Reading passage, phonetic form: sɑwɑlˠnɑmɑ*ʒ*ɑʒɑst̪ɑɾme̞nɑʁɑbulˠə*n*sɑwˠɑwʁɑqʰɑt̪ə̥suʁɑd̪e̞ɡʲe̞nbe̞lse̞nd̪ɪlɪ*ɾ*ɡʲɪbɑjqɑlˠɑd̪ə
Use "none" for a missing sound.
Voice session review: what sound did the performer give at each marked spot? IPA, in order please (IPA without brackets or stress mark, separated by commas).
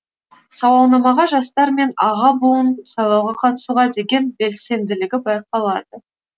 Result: ʁ, n, none